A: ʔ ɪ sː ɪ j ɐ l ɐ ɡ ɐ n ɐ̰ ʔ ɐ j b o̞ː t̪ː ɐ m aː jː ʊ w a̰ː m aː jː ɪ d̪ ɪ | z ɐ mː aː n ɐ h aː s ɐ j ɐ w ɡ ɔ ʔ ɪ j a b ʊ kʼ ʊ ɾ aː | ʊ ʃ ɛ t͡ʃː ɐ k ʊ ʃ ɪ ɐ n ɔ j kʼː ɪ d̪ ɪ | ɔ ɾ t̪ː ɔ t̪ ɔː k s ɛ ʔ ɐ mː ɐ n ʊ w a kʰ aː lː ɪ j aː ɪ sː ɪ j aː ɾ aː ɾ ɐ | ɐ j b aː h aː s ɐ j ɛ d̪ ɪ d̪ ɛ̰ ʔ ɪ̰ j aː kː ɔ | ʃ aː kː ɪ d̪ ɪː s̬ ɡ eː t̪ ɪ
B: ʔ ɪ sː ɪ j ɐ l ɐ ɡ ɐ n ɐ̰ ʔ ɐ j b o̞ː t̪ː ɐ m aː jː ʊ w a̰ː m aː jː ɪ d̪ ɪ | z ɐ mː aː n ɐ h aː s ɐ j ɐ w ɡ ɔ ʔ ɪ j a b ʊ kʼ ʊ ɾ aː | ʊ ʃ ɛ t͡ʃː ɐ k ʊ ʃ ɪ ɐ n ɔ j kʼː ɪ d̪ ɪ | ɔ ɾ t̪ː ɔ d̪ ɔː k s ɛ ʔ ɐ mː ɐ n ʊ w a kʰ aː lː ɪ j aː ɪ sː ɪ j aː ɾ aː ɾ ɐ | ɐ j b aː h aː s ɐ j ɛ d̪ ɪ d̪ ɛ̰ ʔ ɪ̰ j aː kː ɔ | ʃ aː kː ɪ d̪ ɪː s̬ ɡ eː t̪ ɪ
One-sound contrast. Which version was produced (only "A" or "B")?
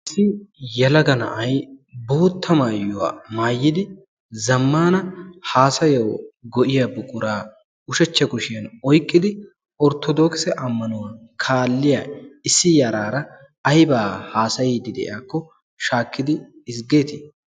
B